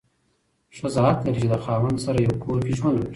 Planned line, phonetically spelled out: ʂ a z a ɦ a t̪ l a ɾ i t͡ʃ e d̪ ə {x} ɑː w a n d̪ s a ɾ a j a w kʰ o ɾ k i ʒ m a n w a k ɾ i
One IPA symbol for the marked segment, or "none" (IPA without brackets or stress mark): x